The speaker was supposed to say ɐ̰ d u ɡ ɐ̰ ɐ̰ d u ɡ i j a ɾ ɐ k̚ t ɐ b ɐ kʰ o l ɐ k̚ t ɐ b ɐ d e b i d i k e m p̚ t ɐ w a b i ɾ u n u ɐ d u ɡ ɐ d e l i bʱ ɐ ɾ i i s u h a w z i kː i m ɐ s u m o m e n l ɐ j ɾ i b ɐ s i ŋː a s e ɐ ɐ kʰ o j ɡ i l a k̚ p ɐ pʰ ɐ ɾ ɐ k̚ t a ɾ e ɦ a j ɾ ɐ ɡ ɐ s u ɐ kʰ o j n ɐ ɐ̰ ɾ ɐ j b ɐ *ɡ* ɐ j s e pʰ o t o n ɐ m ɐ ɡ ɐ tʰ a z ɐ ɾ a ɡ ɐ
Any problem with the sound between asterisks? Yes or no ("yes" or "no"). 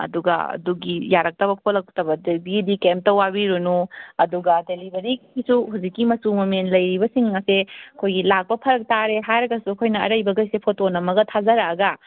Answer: no